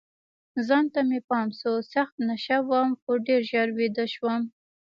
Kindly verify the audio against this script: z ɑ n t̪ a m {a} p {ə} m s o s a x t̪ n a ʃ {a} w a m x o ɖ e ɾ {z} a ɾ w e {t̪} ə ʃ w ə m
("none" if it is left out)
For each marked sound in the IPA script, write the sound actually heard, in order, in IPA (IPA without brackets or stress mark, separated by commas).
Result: e, ɑ, a, ʒ, d̪